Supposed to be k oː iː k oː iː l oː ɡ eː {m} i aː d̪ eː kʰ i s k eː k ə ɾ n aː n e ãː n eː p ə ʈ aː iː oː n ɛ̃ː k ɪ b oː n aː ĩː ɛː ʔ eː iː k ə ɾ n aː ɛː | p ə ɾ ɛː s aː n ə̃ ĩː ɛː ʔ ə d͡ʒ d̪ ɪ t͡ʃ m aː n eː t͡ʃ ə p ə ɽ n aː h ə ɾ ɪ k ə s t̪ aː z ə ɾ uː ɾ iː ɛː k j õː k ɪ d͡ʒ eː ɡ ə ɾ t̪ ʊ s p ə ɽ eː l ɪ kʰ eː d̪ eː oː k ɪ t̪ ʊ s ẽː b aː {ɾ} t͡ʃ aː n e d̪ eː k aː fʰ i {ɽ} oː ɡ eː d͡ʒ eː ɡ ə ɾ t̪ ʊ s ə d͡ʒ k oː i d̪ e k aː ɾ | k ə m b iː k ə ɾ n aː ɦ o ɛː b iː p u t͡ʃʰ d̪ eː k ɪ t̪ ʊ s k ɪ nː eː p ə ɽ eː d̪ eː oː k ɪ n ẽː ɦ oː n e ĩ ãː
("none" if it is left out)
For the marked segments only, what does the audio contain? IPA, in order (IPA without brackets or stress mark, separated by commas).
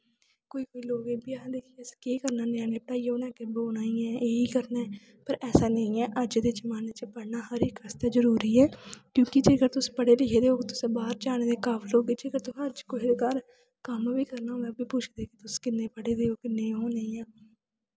b, ɾ, l